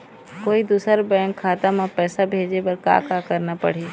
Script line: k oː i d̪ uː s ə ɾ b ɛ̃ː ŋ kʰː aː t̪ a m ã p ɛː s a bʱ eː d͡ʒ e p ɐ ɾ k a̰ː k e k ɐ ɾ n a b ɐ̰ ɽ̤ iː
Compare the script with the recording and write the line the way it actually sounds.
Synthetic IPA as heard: k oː i d̪ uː s ə ɾ b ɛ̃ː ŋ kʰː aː t̪ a m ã p ɛː s a bʱ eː d͡ʒ e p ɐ ɾ k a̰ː k a k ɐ ɾ n a p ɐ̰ ɽ̤ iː